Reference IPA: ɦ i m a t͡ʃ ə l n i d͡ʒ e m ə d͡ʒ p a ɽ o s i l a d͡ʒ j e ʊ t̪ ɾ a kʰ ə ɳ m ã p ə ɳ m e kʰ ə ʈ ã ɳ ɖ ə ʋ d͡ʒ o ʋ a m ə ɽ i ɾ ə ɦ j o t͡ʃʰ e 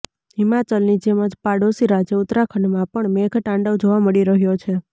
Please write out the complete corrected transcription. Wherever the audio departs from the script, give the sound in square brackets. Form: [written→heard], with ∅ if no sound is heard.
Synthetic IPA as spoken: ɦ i m a t͡ʃ ə l n i d͡ʒ e m ə d͡ʒ p a ɽ o s i [l→ɾ] a d͡ʒ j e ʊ t̪ ɾ a kʰ ə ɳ m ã p ə ɳ m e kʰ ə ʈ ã ɳ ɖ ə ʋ d͡ʒ o ʋ a m ə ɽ i ɾ ə ɦ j o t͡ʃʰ e